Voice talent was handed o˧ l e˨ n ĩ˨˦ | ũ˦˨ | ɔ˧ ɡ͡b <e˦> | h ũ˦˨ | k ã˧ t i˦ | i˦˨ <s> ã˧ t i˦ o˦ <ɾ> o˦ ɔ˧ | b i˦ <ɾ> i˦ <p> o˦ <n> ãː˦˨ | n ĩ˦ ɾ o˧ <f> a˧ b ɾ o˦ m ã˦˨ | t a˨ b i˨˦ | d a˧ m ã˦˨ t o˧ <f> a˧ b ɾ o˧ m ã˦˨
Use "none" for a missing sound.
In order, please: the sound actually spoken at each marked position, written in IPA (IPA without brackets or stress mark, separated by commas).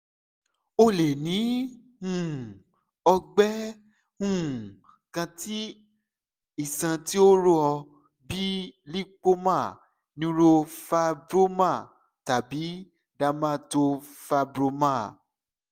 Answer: ɛ˦, s, ɾ, l, k͡p, m, f, f